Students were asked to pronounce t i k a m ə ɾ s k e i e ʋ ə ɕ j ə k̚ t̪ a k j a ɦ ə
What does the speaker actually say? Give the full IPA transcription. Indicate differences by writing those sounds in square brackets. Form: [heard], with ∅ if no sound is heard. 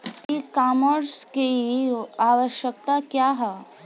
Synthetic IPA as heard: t i k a m ə ɾ s k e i [a] ʋ ə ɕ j ə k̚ t̪ a k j a ɦ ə